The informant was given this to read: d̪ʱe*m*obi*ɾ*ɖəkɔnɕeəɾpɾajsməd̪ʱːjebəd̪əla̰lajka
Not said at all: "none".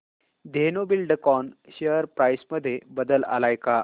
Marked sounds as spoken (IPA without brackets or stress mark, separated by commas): n, l